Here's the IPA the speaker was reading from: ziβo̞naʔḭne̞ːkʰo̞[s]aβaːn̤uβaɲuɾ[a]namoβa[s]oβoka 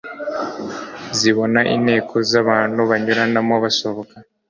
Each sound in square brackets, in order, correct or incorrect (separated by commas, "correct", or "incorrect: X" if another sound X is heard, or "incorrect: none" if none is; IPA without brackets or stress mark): incorrect: z, correct, correct